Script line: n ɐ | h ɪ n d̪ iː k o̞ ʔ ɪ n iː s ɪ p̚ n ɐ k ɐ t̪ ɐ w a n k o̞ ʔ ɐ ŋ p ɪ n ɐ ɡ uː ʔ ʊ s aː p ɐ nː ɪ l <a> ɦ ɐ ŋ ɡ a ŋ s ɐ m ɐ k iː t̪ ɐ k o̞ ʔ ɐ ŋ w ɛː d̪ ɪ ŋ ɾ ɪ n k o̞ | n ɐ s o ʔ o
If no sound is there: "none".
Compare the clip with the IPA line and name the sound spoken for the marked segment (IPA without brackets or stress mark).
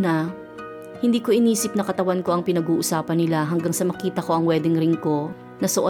a